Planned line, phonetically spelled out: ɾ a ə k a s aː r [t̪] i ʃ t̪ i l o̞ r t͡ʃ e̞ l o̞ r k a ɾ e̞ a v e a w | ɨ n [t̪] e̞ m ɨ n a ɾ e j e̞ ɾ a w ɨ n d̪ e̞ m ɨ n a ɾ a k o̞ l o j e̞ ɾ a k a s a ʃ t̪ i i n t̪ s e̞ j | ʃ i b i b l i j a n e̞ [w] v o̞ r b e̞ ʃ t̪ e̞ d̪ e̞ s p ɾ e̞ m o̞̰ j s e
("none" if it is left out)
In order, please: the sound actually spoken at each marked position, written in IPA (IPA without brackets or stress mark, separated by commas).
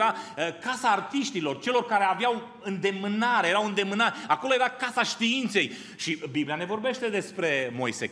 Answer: t̪, d̪, none